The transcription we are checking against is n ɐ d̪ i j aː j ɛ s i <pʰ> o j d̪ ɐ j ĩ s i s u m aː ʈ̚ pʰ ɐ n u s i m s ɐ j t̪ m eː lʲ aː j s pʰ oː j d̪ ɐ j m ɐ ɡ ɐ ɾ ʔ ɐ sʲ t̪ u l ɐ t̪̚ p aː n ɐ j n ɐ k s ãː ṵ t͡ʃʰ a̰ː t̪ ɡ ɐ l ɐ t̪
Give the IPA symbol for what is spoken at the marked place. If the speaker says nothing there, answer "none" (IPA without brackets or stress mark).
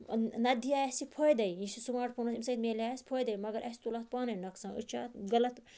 pʰ